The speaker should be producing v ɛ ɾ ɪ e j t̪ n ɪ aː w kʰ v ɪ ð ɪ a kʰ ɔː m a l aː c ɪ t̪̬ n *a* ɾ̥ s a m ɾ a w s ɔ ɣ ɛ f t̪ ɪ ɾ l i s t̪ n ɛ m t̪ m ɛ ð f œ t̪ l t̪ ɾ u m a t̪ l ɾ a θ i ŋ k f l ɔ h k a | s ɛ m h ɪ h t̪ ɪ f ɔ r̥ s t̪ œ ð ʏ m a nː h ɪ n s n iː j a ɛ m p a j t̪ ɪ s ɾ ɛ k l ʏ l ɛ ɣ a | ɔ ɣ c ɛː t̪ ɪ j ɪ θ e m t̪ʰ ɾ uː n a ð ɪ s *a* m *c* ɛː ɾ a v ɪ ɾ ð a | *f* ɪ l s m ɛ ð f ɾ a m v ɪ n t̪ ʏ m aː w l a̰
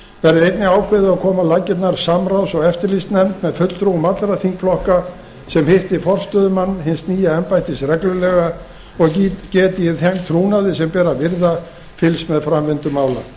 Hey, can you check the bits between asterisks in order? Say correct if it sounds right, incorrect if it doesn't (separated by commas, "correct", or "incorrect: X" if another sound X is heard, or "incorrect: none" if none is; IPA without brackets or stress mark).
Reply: correct, incorrect: ɛ, incorrect: p, correct